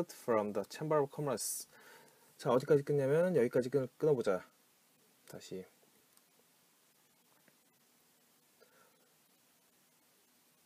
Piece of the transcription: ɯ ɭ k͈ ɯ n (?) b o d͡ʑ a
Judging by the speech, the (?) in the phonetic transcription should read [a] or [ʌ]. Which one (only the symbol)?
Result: ʌ